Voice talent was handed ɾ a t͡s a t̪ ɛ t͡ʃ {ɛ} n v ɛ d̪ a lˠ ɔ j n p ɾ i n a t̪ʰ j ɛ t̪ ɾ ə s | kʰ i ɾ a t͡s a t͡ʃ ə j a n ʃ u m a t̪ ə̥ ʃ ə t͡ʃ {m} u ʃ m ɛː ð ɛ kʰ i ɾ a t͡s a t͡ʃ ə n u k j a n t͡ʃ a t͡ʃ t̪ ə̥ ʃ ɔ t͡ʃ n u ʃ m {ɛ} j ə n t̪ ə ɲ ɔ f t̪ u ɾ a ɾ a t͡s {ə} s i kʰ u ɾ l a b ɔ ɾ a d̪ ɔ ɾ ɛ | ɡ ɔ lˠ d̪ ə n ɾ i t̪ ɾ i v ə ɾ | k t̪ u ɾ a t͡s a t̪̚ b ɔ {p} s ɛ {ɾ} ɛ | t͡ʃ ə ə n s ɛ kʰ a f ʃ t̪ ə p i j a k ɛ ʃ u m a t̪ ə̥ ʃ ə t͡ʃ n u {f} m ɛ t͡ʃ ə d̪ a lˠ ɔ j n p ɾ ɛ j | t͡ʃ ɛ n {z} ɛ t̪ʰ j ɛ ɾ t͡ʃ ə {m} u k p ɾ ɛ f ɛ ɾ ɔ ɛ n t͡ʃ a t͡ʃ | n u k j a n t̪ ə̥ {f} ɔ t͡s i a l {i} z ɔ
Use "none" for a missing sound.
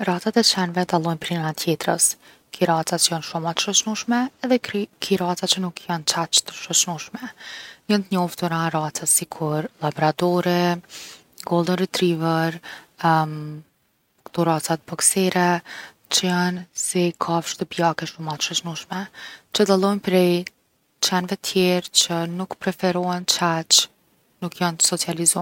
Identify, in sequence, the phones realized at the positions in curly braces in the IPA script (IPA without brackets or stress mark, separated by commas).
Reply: ɛ, n, ɛ, a, k, ɾ, ʃ, v, n, s, i